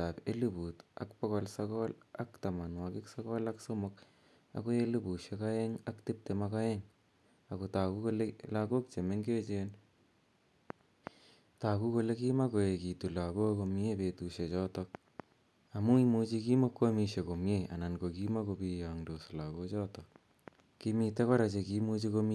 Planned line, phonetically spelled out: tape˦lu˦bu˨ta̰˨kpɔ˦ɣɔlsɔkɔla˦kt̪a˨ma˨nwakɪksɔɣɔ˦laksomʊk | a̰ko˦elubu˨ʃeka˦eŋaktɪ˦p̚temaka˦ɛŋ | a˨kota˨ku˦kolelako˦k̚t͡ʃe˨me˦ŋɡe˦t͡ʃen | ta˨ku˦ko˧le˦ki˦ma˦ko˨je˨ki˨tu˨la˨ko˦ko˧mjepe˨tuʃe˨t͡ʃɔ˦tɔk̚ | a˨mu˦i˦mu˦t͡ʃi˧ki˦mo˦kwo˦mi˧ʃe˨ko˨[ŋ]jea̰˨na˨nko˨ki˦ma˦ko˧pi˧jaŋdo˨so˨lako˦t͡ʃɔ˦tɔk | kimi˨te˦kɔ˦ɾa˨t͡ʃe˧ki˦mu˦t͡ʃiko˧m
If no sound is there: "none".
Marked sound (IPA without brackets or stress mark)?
m